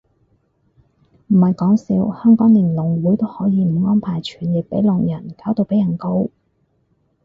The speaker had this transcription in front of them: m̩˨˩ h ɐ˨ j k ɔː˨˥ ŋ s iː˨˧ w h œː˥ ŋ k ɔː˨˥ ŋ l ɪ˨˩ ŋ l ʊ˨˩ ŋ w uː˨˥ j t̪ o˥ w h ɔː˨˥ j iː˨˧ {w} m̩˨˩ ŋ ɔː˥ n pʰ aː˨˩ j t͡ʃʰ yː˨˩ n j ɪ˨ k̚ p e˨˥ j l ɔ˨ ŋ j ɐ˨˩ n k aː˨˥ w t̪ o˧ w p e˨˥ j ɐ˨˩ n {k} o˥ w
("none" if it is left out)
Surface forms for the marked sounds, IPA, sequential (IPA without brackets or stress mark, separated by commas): none, k